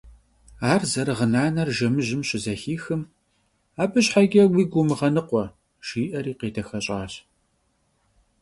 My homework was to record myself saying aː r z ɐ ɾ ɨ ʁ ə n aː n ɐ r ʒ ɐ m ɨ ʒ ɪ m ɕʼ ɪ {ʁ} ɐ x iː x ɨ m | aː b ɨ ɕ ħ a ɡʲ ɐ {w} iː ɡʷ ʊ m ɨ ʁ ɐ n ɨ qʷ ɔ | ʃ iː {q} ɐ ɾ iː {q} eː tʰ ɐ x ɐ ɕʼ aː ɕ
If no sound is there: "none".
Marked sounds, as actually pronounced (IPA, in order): z, w, ʔ, q

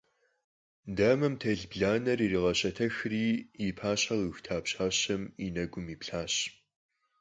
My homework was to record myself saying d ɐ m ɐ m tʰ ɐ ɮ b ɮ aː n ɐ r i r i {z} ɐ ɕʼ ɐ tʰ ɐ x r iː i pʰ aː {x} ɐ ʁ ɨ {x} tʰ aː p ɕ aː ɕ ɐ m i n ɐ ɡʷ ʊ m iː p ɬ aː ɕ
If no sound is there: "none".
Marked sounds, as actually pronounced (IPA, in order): ʁ, ɕ, x

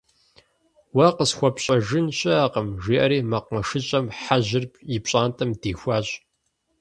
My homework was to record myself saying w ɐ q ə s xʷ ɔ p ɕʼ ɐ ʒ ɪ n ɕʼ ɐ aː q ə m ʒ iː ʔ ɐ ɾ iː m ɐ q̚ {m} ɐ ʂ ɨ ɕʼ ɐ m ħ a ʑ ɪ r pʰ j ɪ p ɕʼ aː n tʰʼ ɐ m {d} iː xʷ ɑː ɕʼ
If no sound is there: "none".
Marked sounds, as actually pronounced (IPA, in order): m, d

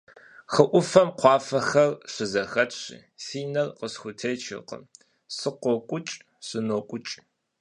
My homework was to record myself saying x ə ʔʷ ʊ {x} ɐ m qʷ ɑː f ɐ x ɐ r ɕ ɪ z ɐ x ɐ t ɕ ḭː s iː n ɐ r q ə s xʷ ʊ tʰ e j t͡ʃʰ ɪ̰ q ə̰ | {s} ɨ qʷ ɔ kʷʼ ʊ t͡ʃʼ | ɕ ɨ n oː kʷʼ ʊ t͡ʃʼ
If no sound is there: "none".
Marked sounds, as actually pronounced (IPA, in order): f, s

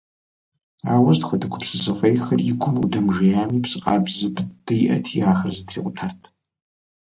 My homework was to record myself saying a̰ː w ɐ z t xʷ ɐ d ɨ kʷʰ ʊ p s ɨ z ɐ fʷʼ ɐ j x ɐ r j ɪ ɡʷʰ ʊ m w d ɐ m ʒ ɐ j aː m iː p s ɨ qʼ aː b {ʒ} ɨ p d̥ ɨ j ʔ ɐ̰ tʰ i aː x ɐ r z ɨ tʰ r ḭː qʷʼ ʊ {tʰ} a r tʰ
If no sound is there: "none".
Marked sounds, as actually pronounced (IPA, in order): z, tʰ

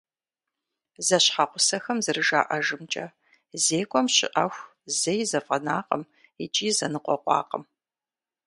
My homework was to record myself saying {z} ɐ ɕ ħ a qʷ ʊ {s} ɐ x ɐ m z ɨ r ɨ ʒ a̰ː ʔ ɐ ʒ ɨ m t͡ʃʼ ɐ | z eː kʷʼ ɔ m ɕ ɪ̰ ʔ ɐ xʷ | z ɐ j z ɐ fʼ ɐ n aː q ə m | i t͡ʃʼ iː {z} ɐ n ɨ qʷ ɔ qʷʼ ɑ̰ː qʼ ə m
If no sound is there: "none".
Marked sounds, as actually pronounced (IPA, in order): z, s, z

